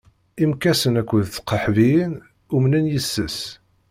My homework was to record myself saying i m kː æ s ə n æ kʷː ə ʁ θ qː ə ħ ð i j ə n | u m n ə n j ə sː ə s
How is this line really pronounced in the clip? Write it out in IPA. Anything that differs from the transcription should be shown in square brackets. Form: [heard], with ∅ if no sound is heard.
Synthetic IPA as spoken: i m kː æ s ə n æ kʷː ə [ð] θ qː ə ħ [v] i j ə n | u m n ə n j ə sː ə s